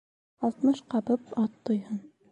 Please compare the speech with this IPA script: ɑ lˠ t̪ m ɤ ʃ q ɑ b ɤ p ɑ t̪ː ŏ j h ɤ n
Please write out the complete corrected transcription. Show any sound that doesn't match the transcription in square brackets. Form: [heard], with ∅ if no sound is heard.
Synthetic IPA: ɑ lˠ t̪ m ɤ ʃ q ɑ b ɤ p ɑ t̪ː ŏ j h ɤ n